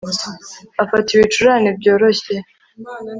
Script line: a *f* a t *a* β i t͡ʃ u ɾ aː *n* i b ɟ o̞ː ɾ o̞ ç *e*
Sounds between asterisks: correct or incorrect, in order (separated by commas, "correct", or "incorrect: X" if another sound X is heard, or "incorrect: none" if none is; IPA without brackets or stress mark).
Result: correct, incorrect: i, correct, correct